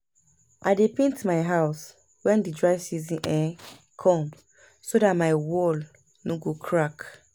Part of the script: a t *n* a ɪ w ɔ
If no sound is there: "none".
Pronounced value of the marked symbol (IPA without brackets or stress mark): m